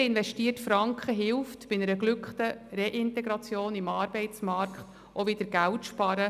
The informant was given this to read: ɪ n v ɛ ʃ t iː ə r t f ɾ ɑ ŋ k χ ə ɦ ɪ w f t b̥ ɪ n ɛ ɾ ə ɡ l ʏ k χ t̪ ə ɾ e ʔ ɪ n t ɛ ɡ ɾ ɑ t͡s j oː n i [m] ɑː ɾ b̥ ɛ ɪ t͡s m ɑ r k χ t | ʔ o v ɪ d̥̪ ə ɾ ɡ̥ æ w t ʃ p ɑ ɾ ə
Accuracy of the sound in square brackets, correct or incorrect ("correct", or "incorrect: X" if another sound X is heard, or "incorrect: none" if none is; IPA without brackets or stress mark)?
correct